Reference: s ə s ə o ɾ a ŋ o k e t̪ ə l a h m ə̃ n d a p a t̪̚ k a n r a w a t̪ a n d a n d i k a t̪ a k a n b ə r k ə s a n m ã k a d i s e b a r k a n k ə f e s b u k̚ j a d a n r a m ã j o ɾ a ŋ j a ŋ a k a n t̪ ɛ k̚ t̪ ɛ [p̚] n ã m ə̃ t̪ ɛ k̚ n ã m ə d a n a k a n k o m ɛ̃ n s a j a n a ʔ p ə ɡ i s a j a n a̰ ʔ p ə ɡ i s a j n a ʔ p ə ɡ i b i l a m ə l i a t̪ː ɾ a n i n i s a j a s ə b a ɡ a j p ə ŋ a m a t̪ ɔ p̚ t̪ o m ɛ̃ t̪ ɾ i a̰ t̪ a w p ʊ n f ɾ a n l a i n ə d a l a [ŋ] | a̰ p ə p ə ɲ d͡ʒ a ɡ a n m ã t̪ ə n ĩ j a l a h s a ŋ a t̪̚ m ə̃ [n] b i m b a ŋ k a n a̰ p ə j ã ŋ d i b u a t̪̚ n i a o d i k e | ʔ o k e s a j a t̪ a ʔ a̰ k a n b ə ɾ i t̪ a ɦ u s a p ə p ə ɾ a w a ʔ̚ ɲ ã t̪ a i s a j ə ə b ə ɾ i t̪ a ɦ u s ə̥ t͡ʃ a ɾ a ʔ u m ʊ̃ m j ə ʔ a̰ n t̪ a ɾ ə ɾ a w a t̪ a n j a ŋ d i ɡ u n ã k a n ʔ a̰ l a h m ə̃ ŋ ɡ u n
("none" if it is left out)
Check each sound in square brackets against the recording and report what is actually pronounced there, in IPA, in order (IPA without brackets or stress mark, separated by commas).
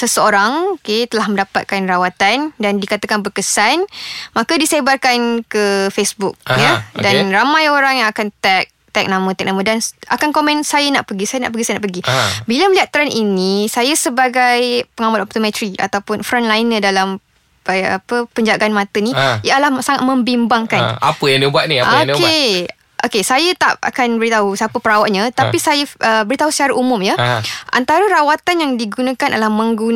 k̚, m, m